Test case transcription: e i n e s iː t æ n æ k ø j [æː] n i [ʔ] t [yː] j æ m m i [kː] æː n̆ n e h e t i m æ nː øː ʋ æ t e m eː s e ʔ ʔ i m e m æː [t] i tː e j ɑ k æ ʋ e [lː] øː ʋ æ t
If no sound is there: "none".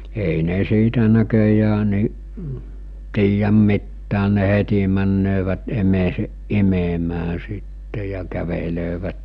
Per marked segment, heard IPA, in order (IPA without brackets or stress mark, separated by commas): æː, ʔ, iː, tː, s, l